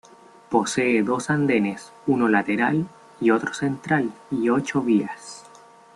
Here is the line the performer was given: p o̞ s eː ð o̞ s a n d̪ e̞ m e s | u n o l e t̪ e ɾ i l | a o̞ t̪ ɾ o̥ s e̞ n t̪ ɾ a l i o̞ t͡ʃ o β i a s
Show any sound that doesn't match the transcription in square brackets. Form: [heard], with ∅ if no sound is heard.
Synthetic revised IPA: p o̞ s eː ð o̞ s a n d̪ e̞ [n] e s | u n o l [a] t̪ e ɾ [a] l | [i] o̞ t̪ ɾ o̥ s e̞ n t̪ ɾ a l i o̞ t͡ʃ o β i a s